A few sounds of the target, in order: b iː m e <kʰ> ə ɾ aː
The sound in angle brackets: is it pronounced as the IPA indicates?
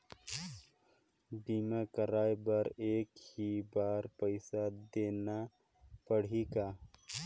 no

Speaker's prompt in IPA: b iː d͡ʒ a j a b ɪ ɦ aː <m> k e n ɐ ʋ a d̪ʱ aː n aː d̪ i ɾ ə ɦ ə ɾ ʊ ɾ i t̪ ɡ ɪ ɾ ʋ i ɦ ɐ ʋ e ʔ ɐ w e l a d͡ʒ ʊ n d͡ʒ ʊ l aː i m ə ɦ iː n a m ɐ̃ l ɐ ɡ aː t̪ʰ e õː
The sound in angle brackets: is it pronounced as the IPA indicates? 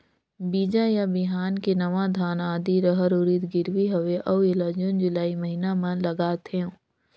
no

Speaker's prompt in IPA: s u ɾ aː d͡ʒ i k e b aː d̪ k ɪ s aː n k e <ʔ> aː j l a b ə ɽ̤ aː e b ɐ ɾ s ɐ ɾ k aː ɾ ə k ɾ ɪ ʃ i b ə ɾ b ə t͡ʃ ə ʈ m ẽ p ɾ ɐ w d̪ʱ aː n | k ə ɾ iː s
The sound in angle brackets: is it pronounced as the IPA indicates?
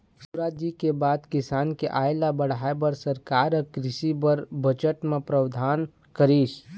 yes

